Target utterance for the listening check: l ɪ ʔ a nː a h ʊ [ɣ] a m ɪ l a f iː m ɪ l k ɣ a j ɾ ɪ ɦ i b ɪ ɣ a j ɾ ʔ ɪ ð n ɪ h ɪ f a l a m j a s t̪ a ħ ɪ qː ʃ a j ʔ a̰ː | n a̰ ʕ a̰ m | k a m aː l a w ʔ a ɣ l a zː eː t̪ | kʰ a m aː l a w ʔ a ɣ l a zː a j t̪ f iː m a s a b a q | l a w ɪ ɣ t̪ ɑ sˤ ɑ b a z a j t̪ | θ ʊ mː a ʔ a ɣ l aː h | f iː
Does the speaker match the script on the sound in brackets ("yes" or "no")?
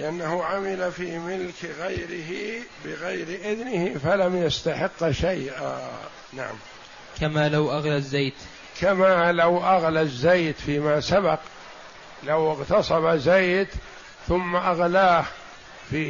no